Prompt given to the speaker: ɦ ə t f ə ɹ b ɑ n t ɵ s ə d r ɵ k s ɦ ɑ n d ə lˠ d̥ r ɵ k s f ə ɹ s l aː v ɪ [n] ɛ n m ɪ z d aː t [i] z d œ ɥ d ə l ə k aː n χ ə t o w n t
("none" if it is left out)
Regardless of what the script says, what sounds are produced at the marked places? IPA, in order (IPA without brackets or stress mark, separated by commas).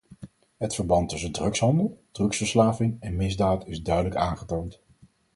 ŋ, ɪ